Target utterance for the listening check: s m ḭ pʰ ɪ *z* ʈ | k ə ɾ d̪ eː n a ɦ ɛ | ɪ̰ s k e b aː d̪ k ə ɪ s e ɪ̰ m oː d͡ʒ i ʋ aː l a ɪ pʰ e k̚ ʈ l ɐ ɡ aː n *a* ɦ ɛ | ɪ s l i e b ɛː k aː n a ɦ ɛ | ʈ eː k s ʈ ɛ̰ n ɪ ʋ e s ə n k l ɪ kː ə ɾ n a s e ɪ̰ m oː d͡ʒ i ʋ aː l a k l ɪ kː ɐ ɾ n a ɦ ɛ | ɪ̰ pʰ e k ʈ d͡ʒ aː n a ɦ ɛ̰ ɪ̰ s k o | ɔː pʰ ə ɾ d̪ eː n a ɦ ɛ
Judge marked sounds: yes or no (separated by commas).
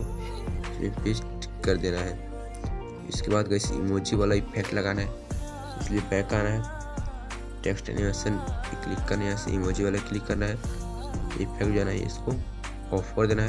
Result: no, yes